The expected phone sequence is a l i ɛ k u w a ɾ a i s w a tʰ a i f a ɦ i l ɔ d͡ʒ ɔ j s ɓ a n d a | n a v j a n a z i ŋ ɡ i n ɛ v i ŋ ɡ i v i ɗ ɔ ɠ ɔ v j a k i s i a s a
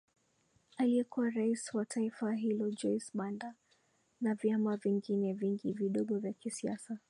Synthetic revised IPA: a l i ɛ k u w a ɾ a i s w a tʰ a i f a ɦ i l ɔ d͡ʒ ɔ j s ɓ a n d a | n a v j a m a v i ŋ ɡ i n ɛ v i ŋ ɡ i v i ɗ ɔ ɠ ɔ v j a k i s i a s a